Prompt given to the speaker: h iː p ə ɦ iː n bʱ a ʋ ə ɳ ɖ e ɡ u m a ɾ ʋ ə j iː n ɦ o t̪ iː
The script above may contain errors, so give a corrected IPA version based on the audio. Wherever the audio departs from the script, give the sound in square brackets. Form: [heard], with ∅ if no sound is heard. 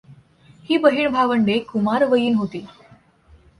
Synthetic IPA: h iː [b] ə ɦ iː [ɳ] bʱ a ʋ ə ɳ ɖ e [k] u m a ɾ ʋ ə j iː n ɦ o t̪ iː